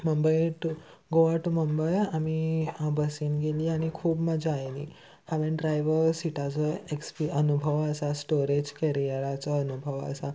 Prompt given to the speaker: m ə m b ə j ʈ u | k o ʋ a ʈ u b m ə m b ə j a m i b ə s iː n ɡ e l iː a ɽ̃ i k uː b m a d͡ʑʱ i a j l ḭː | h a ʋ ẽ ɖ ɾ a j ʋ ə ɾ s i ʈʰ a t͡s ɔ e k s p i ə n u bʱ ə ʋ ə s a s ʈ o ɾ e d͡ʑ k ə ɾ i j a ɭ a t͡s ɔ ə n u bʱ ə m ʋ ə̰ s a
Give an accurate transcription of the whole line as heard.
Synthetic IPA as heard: m ə m b ə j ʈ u | ɡ o ʋ a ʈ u m ə m b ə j a m i b ə s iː n ɡ e l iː a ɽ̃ i kʰ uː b m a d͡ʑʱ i a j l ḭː | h a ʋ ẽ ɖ ɾ a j ʋ ə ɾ s i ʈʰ a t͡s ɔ e k s p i ə n u bʱ ə ʋ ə s a s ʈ o ɾ e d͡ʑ k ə ɾ i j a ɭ a t͡s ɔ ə n u bʱ ə ʋ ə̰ s a